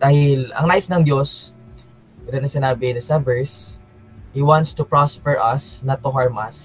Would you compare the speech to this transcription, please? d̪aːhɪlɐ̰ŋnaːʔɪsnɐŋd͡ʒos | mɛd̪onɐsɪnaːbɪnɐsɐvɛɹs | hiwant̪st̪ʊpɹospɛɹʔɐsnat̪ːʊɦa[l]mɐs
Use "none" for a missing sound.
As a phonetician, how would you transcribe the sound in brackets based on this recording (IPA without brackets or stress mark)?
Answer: ɹ